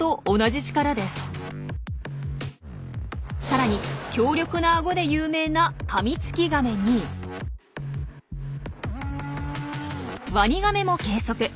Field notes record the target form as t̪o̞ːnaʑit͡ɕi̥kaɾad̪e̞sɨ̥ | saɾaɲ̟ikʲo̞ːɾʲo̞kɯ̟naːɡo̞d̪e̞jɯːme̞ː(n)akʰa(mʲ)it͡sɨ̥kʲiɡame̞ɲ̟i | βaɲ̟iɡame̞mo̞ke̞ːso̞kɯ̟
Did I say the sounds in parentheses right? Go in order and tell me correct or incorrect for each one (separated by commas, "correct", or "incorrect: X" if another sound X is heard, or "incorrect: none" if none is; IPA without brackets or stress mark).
correct, correct